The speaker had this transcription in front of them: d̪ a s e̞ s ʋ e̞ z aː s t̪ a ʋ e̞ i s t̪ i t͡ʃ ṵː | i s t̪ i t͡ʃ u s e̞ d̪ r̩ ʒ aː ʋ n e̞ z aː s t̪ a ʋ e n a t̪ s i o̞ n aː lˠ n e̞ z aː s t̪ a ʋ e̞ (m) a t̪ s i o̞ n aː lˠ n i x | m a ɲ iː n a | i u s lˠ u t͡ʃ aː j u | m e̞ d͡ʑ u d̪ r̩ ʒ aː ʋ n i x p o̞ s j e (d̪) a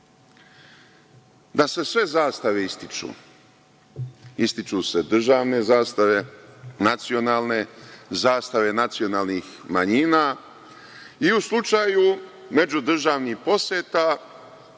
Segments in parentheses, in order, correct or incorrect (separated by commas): incorrect, incorrect